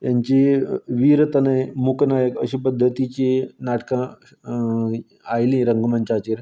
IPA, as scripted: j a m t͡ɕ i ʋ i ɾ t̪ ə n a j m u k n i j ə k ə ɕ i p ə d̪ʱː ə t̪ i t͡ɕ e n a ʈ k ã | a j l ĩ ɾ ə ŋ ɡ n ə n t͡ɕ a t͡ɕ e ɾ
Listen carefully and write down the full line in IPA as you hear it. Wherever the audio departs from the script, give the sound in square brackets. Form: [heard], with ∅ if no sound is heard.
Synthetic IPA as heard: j a [ɲ] t͡ɕ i ʋ i ɾ t̪ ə n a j m u k n [a] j ə k ə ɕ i p ə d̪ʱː ə t̪ i t͡ɕ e n a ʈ k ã | a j l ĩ ɾ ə ŋ ɡ [m] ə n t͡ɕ a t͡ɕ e ɾ